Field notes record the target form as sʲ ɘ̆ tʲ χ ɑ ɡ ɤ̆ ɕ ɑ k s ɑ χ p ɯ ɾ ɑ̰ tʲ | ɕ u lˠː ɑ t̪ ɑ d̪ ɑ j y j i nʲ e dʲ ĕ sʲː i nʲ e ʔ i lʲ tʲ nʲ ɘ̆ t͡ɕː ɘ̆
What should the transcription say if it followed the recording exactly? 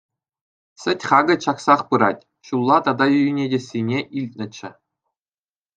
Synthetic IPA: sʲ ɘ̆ tʲ χ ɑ ɡ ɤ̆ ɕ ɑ k s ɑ χ p ɯ ɾ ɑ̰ tʲ | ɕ u lˠː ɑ t̪ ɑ d̪ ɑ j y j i nʲ e dʲ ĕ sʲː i nʲ e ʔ i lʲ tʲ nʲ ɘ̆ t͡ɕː ɘ̆